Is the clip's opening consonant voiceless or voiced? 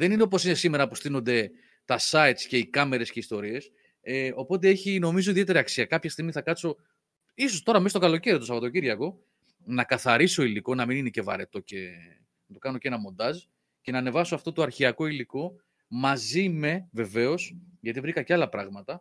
voiced